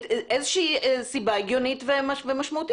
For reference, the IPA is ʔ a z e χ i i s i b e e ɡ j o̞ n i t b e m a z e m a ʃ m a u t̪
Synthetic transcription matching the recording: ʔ e z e ʃ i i s i b a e ɡ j o̞ n i t v e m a v e m a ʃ m a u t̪